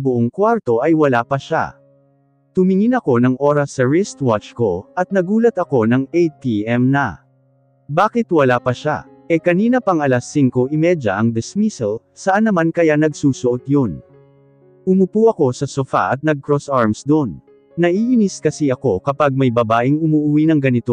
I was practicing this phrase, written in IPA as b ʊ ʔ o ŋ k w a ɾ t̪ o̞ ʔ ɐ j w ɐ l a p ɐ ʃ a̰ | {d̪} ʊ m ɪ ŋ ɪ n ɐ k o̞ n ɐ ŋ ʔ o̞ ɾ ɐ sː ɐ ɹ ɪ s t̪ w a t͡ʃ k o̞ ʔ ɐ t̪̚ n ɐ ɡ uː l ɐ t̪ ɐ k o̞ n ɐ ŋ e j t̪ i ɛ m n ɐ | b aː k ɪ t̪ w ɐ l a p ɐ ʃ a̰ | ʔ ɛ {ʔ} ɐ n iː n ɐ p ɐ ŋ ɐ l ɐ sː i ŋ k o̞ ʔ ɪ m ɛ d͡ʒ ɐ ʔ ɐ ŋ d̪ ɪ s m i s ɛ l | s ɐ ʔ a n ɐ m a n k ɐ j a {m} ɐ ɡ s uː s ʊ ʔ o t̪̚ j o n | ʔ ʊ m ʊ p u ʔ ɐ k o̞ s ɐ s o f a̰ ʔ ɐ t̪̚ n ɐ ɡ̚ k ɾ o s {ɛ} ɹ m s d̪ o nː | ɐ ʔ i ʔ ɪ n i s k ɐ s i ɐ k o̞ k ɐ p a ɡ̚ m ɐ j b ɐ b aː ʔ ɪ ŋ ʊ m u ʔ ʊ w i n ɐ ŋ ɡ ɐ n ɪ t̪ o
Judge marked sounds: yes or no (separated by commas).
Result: no, no, no, no